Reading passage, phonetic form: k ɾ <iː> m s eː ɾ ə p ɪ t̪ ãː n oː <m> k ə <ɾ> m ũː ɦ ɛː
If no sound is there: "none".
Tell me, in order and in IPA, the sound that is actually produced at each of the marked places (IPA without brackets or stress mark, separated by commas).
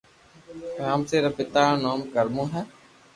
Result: aː, m, ɾ